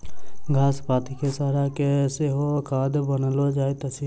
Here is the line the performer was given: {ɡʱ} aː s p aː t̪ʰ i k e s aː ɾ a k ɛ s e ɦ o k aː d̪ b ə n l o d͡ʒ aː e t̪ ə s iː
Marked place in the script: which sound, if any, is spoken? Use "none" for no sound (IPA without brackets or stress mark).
ɡʱ